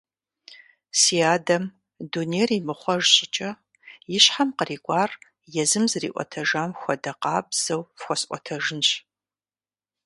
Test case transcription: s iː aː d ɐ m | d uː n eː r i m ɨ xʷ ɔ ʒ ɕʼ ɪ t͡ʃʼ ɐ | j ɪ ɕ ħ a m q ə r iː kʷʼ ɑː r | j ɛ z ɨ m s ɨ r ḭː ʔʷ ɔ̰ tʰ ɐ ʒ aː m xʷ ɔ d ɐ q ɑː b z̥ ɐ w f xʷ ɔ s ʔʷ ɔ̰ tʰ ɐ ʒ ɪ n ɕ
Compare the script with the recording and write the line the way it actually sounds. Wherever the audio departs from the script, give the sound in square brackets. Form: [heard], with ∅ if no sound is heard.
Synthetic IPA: s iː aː d ɐ m | d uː n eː r i m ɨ [χʷ] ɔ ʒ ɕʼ ɪ t͡ʃʼ ɐ | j ɪ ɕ ħ a m q ə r iː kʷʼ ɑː r | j ɛ z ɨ m [z] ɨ r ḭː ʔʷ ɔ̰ tʰ ɐ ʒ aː m xʷ ɔ d ɐ q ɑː b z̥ ɐ w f xʷ ɔ s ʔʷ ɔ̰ tʰ ɐ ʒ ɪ n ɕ